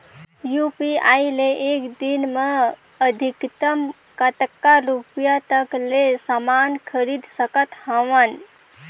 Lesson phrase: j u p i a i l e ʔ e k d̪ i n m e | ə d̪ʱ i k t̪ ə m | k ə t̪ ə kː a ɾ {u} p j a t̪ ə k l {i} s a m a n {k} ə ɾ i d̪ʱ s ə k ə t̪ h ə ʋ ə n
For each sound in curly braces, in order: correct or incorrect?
correct, incorrect: e, incorrect: kʰ

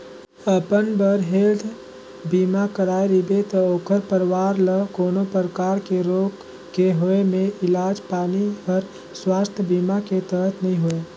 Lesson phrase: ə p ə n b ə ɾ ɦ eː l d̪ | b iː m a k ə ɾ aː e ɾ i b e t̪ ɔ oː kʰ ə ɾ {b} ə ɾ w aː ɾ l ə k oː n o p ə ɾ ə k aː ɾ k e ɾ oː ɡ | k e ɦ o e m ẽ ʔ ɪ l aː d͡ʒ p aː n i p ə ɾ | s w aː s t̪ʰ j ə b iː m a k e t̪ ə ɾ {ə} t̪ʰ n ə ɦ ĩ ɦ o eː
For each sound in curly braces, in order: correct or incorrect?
incorrect: p, correct

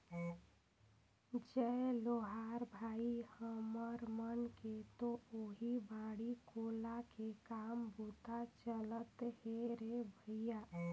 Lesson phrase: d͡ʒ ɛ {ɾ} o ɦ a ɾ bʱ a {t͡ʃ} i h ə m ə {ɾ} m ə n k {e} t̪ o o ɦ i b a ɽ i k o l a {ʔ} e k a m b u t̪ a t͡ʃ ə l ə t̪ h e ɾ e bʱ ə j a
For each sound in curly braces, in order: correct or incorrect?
incorrect: l, incorrect: none, correct, correct, incorrect: k

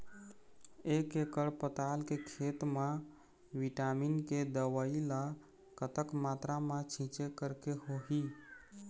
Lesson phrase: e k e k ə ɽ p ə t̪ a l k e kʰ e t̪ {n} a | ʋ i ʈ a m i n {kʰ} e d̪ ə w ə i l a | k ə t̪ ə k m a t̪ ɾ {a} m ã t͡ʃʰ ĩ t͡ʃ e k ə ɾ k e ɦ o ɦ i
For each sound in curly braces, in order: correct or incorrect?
incorrect: m, incorrect: k, correct

